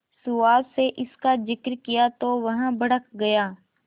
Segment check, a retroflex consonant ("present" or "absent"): present